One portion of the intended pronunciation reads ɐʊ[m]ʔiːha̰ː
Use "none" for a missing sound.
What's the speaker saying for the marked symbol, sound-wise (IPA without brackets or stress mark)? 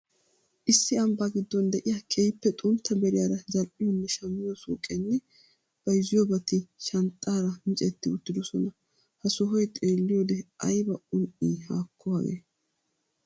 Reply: n